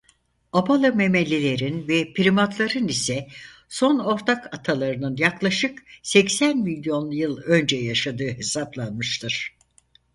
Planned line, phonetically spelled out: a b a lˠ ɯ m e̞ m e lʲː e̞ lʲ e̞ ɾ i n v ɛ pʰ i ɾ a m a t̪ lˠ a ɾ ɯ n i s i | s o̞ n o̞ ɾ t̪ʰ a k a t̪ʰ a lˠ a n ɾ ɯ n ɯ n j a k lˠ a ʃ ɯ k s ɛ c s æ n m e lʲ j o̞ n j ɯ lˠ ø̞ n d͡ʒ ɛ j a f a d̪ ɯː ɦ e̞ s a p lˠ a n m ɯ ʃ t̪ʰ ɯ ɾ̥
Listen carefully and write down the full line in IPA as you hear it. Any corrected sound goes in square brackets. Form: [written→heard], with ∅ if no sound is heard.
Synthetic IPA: a b a lˠ ɯ m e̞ m e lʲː e̞ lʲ e̞ ɾ i n v ɛ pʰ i ɾ [a→i] m a t̪ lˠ a ɾ ɯ n i s [i→ɛ] | s o̞ n o̞ ɾ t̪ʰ a k a t̪ʰ a lˠ a [n→∅] ɾ ɯ n ɯ n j a k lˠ a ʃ ɯ k s ɛ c s æ n m [e→i] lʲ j o̞ n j ɯ lˠ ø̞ n d͡ʒ ɛ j a [f→ʃ] a d̪ ɯː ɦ e̞ s a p lˠ a n m ɯ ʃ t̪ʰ ɯ ɾ̥